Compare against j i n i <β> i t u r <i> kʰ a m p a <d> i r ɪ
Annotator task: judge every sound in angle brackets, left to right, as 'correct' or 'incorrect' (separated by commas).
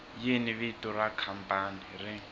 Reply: correct, incorrect, incorrect